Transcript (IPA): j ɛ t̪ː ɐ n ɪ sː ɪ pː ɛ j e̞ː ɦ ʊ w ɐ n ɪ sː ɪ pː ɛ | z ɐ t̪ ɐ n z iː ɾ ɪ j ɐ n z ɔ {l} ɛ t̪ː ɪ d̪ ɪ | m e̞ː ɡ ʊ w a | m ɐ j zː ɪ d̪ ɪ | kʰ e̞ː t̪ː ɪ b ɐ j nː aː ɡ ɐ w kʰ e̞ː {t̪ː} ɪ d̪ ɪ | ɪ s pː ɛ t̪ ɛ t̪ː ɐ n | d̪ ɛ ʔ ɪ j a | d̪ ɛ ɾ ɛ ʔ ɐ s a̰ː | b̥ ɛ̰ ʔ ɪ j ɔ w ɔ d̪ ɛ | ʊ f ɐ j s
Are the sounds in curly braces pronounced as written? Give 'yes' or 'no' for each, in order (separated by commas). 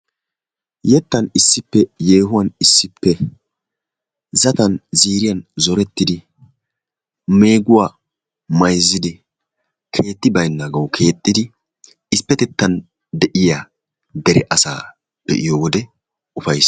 no, no